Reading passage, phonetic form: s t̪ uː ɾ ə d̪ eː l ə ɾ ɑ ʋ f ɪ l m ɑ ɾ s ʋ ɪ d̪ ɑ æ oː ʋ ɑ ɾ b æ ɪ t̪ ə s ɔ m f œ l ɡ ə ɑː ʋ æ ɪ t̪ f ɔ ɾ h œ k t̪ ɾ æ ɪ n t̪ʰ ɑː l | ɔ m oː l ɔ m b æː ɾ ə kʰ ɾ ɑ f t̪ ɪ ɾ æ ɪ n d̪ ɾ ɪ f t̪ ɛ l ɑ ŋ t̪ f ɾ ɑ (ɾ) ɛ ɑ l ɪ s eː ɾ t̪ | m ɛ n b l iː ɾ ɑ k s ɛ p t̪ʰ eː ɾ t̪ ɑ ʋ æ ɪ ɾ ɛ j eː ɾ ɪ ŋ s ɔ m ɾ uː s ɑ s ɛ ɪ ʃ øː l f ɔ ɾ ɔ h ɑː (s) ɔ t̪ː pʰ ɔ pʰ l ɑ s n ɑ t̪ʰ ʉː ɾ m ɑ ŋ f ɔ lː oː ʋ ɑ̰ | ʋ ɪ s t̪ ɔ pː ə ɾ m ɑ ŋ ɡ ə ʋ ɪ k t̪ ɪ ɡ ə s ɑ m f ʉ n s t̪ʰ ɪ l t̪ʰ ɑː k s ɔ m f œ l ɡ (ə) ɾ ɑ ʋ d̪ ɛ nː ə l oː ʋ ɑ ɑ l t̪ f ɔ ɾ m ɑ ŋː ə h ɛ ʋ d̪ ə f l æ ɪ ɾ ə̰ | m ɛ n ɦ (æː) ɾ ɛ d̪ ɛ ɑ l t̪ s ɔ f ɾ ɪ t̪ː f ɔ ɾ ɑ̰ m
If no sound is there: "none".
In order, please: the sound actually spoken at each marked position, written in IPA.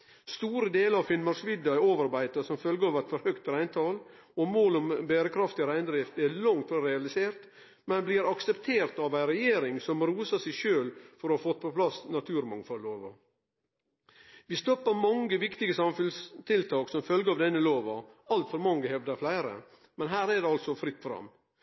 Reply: ɾ, f, ə, æː

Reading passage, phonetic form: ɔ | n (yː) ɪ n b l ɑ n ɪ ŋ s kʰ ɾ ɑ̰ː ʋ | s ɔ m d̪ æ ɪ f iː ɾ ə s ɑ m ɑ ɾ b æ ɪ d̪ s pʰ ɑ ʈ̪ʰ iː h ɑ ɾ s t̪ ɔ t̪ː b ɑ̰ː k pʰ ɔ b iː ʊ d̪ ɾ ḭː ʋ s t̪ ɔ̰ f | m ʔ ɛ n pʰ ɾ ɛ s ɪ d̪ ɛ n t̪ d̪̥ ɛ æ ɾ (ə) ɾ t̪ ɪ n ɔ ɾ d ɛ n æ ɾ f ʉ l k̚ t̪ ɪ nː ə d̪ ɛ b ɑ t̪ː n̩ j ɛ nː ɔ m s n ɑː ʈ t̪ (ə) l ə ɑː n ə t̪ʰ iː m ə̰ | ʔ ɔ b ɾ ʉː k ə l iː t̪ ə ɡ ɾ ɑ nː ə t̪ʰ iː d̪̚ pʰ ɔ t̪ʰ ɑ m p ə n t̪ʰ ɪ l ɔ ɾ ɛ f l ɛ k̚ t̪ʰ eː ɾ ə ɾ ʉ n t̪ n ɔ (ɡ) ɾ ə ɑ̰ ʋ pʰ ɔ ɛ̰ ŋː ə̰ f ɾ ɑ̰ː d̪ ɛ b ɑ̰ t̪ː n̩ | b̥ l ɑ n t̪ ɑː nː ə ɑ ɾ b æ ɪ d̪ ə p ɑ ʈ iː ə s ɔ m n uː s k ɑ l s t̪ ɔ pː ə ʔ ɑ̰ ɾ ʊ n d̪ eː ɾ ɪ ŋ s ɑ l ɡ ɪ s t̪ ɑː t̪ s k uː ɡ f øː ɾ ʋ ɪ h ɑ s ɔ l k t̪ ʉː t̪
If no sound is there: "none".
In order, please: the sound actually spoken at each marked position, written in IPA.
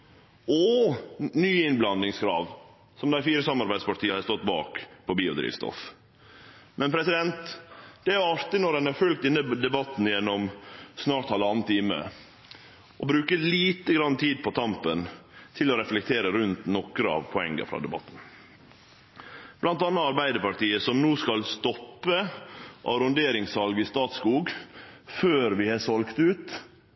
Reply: yː, ɑ, ɑ, k

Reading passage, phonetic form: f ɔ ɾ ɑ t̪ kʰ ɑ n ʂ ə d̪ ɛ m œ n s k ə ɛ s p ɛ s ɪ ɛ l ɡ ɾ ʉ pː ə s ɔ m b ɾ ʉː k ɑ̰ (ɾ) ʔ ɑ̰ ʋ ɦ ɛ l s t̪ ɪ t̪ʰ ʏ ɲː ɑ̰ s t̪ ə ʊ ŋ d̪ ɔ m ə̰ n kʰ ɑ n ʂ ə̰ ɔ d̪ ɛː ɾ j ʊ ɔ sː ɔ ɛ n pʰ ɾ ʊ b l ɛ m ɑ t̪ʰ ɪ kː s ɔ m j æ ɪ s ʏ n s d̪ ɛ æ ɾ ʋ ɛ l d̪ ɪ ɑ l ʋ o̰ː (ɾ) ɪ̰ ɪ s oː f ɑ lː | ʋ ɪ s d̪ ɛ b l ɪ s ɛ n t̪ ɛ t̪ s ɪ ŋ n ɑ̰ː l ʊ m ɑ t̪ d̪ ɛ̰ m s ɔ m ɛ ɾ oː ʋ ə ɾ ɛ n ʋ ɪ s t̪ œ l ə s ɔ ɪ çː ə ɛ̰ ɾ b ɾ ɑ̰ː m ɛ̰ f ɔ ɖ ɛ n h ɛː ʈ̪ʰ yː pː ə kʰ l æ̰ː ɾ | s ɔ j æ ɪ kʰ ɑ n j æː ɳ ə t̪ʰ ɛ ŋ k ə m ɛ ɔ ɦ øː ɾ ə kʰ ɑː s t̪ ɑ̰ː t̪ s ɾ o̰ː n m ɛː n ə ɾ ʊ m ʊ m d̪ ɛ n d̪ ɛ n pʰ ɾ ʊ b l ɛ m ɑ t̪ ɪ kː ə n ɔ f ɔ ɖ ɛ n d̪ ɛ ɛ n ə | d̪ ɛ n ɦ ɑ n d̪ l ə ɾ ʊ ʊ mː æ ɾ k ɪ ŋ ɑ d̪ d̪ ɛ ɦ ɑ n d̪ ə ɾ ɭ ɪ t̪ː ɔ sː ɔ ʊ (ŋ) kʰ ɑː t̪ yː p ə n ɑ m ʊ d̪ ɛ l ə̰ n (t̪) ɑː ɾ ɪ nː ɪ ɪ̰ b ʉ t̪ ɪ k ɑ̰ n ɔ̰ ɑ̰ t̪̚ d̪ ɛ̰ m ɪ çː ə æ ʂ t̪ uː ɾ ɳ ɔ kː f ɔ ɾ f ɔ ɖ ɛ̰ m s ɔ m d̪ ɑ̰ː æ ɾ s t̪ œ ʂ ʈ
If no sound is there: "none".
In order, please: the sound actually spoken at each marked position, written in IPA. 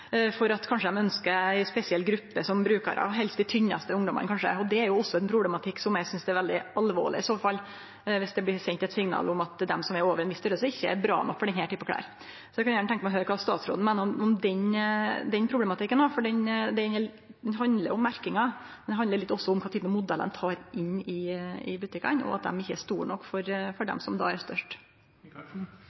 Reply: ɾ, ɭ, m, t̪ʰ

